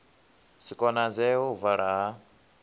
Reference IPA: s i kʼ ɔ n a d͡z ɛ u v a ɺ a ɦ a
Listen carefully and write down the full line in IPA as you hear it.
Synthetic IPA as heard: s i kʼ ɔ n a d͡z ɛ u v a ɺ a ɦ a